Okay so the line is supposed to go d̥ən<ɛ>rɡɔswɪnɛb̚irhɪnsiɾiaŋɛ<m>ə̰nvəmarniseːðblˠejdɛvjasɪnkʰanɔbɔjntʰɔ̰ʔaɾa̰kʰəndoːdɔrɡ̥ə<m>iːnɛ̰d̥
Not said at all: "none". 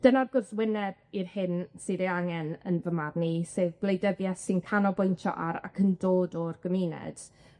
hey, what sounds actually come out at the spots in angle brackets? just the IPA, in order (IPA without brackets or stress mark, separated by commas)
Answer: a, n, m